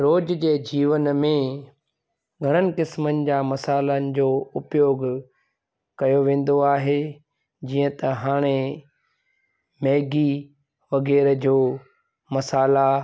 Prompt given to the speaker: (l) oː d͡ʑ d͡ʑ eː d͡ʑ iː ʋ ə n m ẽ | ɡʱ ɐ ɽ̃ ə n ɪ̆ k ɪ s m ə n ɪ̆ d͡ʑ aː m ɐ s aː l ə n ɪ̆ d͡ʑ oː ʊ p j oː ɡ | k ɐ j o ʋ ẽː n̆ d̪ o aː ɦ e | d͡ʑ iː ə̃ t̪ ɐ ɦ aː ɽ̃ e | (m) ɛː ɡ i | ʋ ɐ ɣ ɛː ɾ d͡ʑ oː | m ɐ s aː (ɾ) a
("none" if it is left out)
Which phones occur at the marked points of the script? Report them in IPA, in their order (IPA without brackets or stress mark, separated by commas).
ɾ, m, l